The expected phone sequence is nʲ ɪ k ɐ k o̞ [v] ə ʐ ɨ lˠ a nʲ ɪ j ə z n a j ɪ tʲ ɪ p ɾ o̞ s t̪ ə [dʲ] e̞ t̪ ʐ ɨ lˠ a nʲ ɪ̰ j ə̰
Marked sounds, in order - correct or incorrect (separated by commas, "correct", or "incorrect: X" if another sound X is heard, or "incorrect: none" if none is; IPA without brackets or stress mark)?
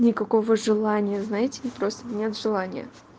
correct, incorrect: nʲ